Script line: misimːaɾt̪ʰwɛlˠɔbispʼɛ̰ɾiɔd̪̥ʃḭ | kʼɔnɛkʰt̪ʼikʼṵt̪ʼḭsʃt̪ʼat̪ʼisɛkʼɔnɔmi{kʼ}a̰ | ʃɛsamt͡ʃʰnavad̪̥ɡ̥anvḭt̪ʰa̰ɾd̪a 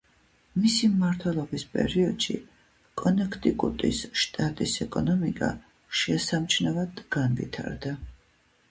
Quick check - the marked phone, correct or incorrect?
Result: correct